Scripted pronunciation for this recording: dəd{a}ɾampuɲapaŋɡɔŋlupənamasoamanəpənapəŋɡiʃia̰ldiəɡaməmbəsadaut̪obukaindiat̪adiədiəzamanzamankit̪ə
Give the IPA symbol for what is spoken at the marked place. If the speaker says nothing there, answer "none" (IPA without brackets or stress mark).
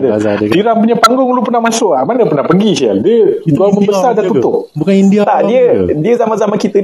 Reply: i